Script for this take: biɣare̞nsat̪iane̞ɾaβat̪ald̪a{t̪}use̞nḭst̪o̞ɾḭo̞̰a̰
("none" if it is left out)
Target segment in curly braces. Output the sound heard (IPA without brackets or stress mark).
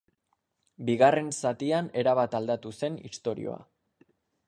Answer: t̪